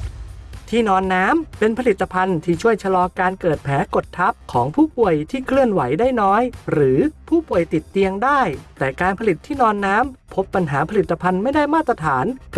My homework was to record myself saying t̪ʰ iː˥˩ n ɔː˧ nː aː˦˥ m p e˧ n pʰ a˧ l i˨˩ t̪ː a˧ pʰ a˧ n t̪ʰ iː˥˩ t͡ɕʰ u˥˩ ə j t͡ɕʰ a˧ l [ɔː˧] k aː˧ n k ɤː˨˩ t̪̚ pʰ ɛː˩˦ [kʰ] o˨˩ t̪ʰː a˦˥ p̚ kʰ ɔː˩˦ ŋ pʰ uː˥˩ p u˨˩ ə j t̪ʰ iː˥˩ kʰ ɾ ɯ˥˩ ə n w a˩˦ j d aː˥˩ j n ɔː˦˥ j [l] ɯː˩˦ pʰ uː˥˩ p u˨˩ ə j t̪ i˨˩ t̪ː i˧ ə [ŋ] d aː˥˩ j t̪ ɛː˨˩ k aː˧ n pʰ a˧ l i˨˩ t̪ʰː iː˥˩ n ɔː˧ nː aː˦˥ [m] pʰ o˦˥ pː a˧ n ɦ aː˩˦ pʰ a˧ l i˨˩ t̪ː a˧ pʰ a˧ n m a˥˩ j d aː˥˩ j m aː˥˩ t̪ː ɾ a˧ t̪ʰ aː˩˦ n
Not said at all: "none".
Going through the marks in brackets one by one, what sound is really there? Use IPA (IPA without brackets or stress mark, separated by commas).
ɔː˧, k, ɾ, ŋ, m